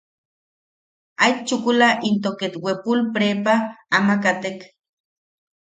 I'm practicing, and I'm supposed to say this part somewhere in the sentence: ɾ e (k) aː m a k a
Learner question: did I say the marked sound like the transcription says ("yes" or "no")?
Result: no